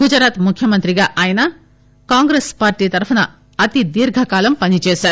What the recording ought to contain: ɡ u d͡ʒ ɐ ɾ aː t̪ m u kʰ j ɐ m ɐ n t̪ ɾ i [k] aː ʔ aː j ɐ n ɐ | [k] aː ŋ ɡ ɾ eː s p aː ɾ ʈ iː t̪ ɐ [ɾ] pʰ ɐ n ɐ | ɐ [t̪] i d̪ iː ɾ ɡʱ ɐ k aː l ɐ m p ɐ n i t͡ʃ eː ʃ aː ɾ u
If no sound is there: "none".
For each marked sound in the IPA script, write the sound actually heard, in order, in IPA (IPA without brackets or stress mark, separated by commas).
ɡ, k, ɾ, t̪